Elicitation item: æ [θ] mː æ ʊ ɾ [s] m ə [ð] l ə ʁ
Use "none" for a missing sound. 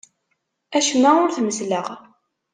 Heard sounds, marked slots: ʃ, θ, z

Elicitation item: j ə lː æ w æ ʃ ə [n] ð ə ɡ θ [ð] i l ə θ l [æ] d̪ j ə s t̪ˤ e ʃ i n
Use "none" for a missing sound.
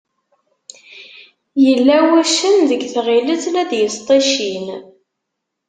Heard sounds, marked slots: n, ʁ, æ

